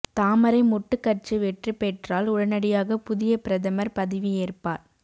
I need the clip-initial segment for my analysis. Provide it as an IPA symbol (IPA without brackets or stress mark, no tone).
t̪